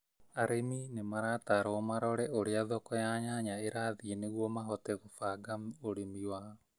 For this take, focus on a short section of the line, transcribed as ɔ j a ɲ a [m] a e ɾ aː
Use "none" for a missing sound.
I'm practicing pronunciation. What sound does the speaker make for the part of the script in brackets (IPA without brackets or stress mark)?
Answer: ɲ